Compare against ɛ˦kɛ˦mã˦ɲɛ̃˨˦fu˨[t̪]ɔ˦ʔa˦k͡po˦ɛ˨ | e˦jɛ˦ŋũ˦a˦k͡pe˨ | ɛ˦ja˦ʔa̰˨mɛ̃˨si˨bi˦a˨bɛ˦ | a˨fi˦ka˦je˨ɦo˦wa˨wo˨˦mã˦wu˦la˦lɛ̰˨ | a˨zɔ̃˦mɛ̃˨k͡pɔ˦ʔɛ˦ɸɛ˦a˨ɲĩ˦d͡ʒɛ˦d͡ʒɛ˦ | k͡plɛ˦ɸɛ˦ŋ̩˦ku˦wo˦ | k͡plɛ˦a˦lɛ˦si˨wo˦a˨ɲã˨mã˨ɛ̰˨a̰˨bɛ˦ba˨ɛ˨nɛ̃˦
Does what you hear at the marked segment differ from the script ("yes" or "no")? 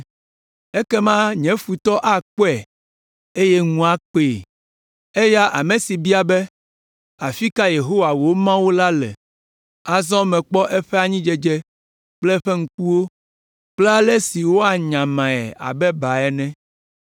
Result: no